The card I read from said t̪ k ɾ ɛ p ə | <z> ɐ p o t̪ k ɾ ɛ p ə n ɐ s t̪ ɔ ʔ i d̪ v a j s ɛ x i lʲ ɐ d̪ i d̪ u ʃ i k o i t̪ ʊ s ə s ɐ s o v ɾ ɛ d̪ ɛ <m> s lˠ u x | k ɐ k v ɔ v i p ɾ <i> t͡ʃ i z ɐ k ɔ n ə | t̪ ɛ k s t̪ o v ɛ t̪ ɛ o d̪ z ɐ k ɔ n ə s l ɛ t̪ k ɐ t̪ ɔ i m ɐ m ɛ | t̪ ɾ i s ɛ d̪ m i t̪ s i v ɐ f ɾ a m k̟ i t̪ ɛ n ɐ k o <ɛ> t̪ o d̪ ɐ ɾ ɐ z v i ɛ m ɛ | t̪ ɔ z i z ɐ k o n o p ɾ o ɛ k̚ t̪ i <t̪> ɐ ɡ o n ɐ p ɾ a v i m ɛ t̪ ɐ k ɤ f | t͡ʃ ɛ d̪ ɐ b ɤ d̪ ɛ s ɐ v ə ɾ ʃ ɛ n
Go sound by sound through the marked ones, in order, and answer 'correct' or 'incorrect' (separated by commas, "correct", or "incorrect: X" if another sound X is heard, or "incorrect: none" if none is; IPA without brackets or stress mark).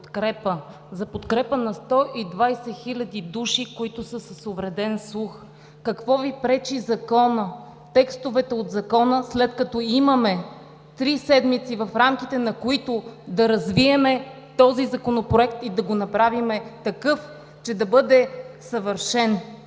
correct, incorrect: n, incorrect: ɛ, incorrect: i, incorrect: d̪